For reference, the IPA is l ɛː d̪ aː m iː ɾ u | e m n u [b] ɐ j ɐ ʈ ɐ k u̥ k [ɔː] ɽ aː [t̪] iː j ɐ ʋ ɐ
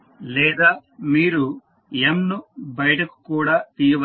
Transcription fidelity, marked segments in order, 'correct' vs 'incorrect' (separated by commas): correct, incorrect, correct